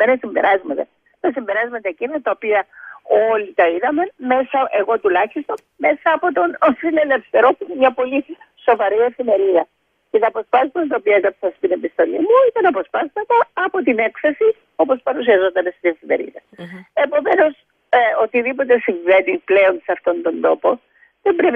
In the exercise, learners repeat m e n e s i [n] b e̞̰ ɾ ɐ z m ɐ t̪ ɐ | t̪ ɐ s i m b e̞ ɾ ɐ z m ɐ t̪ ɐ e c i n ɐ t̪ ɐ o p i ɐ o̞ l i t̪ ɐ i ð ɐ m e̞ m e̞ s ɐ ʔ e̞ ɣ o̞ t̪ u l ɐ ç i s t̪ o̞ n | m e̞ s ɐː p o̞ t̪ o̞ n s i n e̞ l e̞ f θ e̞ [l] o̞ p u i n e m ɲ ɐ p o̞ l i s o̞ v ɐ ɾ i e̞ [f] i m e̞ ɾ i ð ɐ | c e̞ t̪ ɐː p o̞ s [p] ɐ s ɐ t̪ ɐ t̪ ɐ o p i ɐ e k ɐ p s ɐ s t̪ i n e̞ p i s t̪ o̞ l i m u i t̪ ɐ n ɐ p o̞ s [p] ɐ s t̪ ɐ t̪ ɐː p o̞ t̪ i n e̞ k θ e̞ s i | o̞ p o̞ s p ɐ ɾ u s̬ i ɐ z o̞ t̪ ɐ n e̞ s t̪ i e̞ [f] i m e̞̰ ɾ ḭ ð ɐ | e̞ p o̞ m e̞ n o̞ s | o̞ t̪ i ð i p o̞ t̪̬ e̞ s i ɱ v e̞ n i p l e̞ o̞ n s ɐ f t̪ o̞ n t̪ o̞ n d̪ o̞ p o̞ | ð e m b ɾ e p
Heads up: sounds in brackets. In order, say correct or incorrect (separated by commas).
incorrect, incorrect, correct, correct, correct, correct